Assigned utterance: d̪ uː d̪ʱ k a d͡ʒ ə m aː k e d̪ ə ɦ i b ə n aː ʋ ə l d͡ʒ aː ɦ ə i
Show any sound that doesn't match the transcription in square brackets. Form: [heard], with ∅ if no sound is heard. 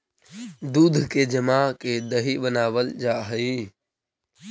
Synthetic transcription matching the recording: d̪ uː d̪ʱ k [e] d͡ʒ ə m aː k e d̪ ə ɦ i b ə n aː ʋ ə l d͡ʒ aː ɦ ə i